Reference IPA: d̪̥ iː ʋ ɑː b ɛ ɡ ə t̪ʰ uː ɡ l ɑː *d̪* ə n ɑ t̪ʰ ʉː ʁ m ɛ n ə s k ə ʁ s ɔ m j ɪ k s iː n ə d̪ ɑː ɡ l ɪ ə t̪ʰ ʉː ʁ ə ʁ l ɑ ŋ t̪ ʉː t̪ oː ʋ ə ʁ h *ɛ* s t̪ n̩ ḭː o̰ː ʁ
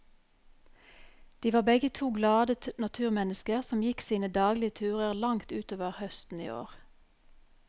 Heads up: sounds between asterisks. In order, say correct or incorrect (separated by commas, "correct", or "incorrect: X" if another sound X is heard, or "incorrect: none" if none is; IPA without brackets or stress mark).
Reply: correct, incorrect: œ